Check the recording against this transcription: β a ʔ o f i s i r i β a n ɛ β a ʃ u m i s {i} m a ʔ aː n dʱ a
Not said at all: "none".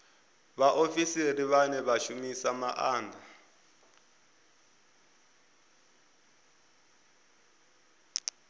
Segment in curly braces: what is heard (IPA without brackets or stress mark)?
a